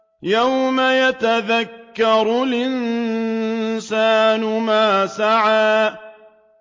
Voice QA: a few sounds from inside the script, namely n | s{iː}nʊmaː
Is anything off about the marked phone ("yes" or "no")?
yes